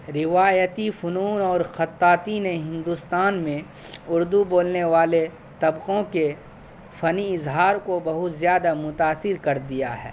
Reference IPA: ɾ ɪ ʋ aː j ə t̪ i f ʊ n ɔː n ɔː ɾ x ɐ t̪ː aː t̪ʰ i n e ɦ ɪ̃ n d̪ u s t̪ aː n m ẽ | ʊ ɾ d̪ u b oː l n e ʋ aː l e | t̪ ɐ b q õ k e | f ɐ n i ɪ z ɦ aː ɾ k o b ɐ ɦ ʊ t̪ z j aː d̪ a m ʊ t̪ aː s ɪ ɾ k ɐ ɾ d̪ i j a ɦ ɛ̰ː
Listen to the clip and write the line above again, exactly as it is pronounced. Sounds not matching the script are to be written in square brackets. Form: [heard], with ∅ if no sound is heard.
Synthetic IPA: ɾ ɪ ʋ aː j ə t̪ i f ʊ n [uː] n ɔː ɾ x ɐ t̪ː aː [t̪] i n e ɦ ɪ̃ n d̪ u s t̪ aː n m ẽ | ʊ ɾ d̪ u b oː l n e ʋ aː l e | t̪ ɐ b q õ k e | f ɐ n i ɪ z ɦ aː ɾ k o b ɐ ɦ ʊ t̪ z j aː d̪ a m ʊ t̪ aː s ɪ ɾ k ɐ ɾ d̪ i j a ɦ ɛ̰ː

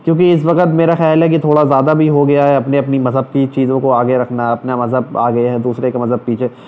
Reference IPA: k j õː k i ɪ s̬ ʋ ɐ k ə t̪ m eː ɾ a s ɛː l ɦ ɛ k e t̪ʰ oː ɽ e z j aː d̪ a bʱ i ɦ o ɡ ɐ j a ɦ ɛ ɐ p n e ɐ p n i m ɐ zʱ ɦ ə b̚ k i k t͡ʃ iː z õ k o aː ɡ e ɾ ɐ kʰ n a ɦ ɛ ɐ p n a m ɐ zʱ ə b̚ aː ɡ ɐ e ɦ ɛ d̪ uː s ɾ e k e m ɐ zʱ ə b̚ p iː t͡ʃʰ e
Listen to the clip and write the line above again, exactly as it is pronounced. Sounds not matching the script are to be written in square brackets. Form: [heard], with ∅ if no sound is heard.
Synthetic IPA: k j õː k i ɪ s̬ ʋ ɐ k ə t̪ m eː ɾ a [x] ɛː l ɦ ɛ k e t̪ʰ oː ɽ [a] z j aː d̪ a bʱ i ɦ o ɡ ɐ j a ɦ ɛ ɐ p n e ɐ p n i m ɐ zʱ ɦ ə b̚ k i [∅] t͡ʃ iː z õ k o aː ɡ e ɾ ɐ kʰ n a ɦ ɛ ɐ p n a m ɐ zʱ ə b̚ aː ɡ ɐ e ɦ ɛ d̪ uː s ɾ e k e m ɐ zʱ ə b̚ p iː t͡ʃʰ e

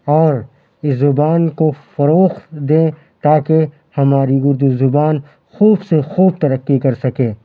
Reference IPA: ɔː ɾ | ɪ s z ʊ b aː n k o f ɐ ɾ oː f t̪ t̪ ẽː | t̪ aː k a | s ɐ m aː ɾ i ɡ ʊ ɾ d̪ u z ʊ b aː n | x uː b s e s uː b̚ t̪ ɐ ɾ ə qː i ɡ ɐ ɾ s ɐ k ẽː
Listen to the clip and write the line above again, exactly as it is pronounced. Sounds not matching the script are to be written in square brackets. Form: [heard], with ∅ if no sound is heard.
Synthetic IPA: ɔː ɾ | ɪ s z ʊ b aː n k o f ɐ ɾ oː [x] t̪ [d̪] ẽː | t̪ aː k [e] | [h] ɐ m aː ɾ i ɡ ʊ ɾ d̪ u z ʊ b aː n | x uː b s e [x] uː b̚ t̪ ɐ ɾ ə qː i [k] ɐ ɾ s ɐ k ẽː

